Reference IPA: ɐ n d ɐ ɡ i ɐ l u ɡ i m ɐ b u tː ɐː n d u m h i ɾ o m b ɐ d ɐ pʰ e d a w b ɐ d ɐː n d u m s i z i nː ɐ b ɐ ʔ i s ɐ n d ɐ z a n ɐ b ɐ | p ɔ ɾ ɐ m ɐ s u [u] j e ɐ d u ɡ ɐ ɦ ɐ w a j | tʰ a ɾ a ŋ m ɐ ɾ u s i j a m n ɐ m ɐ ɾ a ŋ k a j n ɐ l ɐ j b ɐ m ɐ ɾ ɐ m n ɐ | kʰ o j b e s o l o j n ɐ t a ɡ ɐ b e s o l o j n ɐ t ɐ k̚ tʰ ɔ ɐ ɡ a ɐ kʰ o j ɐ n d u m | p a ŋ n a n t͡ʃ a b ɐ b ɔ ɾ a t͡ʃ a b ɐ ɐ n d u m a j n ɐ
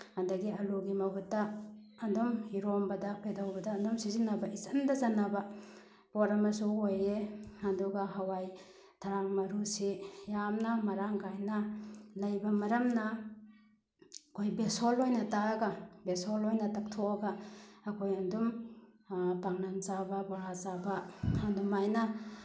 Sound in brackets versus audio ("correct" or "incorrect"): incorrect